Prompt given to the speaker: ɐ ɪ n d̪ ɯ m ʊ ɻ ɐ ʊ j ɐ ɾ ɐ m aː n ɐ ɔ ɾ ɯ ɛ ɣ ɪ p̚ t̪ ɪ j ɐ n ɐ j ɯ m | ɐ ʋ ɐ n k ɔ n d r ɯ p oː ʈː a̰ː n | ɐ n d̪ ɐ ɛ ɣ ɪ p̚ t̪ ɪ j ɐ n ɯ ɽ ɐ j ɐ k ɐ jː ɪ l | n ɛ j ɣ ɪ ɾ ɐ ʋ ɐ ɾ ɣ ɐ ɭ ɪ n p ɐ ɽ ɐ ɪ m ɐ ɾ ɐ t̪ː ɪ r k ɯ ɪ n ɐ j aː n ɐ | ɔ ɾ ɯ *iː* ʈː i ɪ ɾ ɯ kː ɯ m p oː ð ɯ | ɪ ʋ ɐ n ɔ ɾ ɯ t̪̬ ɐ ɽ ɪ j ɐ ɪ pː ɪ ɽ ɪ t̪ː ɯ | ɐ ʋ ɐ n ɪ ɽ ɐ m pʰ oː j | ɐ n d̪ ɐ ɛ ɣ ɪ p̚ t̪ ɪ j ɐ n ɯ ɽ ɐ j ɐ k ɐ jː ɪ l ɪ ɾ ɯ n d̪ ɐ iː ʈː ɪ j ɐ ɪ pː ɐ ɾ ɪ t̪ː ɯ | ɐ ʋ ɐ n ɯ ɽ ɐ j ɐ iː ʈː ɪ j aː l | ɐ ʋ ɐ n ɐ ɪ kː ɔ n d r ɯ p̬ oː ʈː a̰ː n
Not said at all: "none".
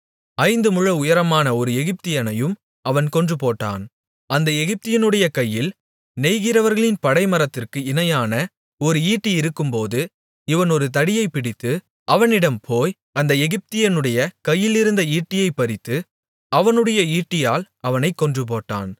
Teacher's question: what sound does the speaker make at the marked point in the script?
iː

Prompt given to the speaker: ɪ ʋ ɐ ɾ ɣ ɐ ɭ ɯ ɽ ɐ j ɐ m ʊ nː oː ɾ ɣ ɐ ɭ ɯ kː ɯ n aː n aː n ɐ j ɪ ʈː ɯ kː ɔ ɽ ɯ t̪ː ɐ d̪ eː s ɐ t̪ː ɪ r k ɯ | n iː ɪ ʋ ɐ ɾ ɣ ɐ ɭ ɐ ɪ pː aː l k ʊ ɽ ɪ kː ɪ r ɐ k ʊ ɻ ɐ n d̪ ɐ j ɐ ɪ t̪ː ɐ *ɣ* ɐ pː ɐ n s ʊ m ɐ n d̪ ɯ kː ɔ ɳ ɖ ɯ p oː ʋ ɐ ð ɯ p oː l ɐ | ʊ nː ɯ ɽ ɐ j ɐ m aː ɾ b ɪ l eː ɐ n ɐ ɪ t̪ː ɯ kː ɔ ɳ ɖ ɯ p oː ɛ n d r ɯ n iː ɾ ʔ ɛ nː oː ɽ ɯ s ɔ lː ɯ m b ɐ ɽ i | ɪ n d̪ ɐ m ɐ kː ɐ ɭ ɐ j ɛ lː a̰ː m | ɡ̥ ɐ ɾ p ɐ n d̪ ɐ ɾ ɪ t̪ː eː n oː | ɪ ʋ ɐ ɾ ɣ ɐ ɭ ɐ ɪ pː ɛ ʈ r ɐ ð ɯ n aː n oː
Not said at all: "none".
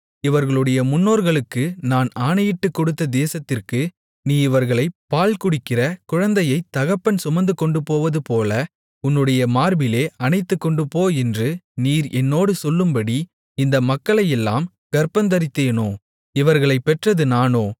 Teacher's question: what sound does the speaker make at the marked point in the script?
ɣ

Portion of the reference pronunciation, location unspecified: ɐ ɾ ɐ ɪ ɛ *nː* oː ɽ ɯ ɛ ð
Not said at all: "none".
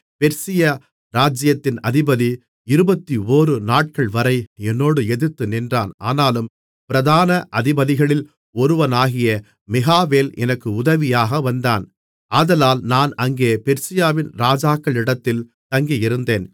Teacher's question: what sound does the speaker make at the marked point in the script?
nː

